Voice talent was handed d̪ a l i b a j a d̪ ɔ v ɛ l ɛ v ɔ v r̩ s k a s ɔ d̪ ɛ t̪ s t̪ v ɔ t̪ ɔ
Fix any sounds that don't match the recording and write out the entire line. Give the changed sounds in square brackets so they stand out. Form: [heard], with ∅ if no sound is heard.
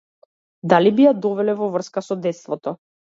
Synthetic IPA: d̪ a l i b [i] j a d̪ ɔ v ɛ l ɛ v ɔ v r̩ s k a s ɔ d̪ ɛ t̪ s t̪ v ɔ t̪ ɔ